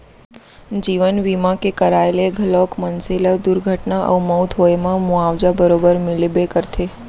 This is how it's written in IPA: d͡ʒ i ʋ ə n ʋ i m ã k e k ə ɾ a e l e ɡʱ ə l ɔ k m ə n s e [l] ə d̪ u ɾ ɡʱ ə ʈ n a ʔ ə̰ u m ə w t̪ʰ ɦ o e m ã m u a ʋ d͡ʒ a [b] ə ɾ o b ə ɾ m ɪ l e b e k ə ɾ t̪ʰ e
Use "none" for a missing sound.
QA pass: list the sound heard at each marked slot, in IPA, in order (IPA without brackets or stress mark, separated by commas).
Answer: l, b